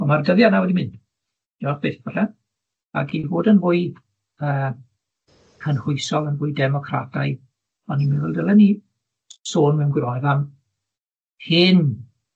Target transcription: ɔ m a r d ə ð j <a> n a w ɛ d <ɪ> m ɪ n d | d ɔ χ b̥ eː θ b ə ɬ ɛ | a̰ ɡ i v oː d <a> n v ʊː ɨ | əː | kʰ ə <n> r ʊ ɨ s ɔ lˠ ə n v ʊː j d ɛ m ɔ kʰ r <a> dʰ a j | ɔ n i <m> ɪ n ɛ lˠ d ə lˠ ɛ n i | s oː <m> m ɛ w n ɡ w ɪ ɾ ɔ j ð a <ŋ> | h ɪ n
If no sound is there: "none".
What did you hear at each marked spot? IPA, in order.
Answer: a, i, ə, n, a, m, n, m

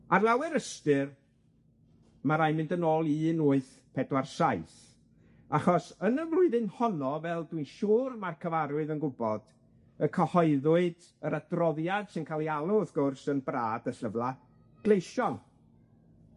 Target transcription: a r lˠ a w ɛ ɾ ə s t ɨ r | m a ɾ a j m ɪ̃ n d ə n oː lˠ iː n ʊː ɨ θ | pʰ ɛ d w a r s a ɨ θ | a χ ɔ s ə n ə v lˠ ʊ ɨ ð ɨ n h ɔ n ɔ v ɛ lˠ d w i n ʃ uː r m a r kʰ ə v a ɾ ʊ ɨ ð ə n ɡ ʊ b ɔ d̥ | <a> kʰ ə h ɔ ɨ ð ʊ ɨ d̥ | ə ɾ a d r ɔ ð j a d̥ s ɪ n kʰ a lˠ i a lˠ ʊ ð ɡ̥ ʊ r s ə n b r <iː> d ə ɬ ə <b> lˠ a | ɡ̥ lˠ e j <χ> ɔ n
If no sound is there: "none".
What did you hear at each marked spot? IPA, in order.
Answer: ə, aː, v, ʃ

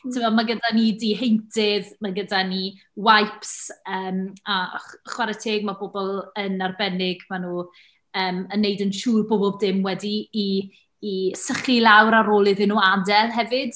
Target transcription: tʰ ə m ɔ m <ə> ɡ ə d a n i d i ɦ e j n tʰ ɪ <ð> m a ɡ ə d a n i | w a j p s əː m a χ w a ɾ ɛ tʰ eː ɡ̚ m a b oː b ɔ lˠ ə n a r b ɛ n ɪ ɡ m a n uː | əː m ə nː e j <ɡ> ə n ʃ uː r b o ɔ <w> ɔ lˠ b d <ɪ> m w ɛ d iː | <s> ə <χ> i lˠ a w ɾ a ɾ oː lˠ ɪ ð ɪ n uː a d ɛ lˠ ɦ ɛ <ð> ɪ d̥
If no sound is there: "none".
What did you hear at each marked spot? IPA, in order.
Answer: a, ð, d, b, ɪ, s, χ, v

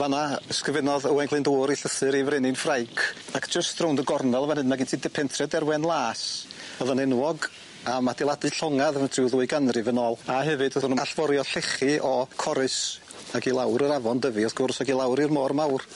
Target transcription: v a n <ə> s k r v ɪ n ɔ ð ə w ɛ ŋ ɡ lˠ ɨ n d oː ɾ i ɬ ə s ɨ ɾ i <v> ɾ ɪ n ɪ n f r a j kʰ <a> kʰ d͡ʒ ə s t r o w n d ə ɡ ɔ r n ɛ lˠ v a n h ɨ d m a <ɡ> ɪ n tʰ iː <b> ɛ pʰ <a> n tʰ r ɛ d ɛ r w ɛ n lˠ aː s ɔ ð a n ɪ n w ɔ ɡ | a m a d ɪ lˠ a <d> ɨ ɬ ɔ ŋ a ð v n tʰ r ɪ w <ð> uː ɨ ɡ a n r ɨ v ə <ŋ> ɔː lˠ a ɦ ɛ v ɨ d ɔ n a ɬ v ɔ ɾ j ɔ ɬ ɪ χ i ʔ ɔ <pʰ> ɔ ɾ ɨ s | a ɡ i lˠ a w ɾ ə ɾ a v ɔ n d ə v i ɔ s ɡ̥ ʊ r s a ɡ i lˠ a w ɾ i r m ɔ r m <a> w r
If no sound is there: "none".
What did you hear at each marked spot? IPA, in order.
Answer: a, v, a, ɡ, d, ɛ, d, ð, n, kʰ, a

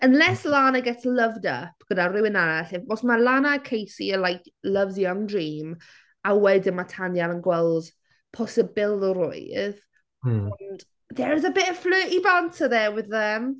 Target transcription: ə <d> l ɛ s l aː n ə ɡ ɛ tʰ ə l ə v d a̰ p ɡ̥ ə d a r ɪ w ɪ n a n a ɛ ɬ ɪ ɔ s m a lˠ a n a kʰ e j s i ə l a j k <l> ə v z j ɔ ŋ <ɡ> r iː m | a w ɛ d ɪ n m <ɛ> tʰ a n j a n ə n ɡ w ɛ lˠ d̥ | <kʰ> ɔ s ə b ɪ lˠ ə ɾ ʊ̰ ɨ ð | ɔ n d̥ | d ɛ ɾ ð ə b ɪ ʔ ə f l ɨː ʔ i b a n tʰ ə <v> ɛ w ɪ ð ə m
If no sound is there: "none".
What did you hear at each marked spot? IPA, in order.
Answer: n, l, d, a, pʰ, ð

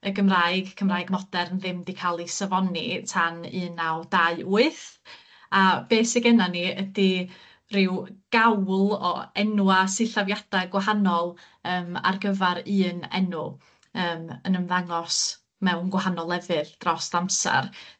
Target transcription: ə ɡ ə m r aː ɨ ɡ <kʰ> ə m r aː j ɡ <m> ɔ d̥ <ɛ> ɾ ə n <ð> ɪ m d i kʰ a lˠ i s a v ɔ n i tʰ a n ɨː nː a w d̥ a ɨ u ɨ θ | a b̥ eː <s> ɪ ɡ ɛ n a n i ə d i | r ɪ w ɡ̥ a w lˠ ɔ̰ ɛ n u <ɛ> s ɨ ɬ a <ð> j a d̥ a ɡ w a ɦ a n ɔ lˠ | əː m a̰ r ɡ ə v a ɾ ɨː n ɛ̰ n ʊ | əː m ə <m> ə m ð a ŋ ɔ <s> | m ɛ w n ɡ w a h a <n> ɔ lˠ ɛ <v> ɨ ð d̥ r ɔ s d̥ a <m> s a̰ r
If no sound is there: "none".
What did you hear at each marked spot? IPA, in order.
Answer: kʰ, m, ɛ, ð, s, a, v, n, s, n, v, m

